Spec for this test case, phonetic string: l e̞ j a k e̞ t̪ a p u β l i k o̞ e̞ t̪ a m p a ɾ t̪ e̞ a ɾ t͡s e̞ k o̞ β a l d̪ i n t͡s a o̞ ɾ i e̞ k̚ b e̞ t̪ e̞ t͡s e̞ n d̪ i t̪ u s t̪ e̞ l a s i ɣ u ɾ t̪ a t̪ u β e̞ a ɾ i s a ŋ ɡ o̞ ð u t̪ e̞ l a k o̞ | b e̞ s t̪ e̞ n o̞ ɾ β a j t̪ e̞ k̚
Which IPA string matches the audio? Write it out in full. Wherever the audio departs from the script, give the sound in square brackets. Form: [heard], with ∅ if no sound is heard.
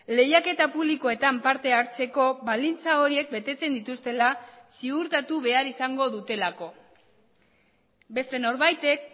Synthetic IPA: l e̞ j a k e̞ t̪ a p u β l i k o̞ e̞ t̪ a m p a ɾ t̪ e̞ a ɾ t͡s e̞ k o̞ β a l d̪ i n t͡s a o̞ ɾ i e̞ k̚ b e̞ t̪ e̞ t͡s e̞ n d̪ i t̪ u s t̪ e̞ l a s i ɣ u ɾ t̪ a t̪ u β e̞ a ɾ i s a ŋ ɡ o̞ ð u t̪ e̞ l a k o̞ | b e̞ s t̪ e̞ n o̞ ɾ β a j t̪ e̞ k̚